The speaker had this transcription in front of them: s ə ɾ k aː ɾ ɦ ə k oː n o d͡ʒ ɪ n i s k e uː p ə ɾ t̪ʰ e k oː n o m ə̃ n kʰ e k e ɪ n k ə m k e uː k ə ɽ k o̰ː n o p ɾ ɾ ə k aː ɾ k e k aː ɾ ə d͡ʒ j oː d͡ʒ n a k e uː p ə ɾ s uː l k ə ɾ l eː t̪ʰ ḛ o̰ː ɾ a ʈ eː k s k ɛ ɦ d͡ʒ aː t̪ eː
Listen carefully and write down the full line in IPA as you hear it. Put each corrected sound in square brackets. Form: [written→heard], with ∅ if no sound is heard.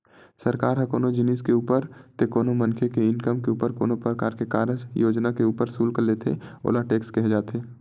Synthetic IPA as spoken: s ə ɾ k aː ɾ ɦ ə k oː n o d͡ʒ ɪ n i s k e uː p ə ɾ [t̪ʰ→t̪] e k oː n o m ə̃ n kʰ e k e ɪ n k ə m k e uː [k→p] ə [ɽ→ɾ] k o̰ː n o p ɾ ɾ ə k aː ɾ k e k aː ɾ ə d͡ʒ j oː d͡ʒ n a k e uː p ə ɾ s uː l k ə ɾ l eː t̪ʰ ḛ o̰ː [ɾ→l] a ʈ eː k s k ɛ ɦ d͡ʒ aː t̪ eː